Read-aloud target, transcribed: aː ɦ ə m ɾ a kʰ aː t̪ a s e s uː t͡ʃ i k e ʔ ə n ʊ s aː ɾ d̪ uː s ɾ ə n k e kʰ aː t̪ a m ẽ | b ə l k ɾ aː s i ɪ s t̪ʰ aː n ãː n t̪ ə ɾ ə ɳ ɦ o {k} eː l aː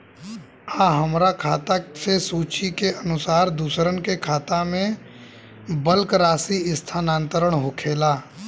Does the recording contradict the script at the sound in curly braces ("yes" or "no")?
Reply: yes